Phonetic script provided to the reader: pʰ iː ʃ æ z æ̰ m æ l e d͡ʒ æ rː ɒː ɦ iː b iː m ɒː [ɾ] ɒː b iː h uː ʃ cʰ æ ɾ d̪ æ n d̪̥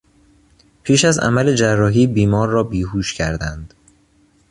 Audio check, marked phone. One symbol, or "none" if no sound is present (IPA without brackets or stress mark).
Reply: ɾː